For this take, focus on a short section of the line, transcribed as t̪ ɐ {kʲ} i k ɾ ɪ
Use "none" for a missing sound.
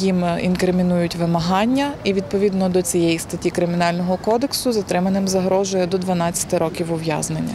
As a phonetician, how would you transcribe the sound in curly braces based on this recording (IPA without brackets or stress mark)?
tʲ